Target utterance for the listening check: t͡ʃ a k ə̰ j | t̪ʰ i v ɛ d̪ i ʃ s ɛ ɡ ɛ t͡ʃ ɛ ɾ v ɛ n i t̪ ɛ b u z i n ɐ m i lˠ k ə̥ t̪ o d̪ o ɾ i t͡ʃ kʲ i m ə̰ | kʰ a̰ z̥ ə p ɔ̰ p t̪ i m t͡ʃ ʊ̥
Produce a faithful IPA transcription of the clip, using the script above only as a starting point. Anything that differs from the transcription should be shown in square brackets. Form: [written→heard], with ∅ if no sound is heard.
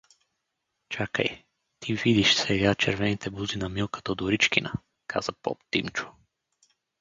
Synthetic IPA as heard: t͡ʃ a k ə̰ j | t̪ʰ i v [ɛ→i] d̪ i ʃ s ɛ ɡ [ɛ→a] t͡ʃ ɛ ɾ v ɛ n i t̪ ɛ b u z i n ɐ m i lˠ k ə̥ t̪ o d̪ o ɾ i t͡ʃ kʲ i [m→n] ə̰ | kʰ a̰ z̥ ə p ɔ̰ p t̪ i m t͡ʃ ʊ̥